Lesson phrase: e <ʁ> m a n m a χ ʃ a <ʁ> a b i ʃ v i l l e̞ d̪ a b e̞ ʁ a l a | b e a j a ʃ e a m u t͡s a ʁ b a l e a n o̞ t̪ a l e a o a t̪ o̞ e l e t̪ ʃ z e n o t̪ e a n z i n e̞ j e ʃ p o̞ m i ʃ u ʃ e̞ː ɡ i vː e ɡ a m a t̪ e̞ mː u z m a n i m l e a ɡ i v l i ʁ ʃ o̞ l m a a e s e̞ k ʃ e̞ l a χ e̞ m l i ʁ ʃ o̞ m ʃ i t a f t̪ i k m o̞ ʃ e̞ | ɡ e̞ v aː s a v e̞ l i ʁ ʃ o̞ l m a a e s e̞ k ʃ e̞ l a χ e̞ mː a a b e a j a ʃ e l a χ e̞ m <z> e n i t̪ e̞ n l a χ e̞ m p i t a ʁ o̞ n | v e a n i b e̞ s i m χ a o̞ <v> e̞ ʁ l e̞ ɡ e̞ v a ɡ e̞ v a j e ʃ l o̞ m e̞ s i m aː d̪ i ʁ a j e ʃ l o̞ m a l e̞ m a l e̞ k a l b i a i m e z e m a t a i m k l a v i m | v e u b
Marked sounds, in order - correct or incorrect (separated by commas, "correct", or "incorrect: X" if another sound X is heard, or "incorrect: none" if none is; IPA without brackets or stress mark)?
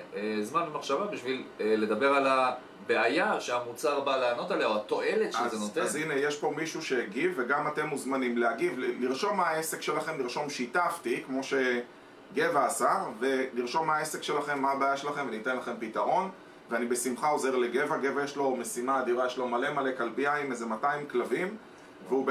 incorrect: z, incorrect: v, incorrect: v, incorrect: z